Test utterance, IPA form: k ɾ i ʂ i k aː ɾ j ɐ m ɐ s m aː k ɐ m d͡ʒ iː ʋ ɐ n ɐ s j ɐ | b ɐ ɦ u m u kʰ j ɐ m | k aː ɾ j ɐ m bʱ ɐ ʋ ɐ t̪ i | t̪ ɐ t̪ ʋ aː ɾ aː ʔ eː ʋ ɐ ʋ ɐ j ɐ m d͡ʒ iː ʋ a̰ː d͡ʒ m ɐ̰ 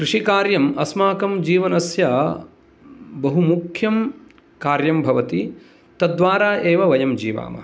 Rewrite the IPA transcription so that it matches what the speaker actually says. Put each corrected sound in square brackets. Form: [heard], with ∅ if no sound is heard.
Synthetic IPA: k ɾ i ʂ i k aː ɾ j ɐ m ɐ s m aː k ɐ m d͡ʒ iː ʋ ɐ n ɐ s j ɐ | b ɐ ɦ u m u kʰ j ɐ m | k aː ɾ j ɐ m bʱ ɐ ʋ ɐ t̪ i | t̪ ɐ [d̪] ʋ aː ɾ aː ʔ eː ʋ ɐ ʋ ɐ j ɐ m d͡ʒ iː ʋ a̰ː [∅] m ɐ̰